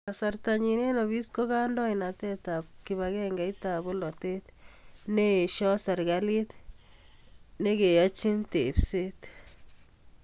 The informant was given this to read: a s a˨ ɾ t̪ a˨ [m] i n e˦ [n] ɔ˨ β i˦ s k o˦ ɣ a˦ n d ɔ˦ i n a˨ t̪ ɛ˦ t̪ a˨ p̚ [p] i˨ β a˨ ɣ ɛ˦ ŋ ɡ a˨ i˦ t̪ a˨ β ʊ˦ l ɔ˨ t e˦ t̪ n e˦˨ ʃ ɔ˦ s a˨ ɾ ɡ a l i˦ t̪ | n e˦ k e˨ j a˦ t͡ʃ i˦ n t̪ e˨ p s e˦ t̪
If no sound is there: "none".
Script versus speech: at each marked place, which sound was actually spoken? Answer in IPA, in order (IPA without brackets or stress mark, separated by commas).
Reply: ɲ, n, k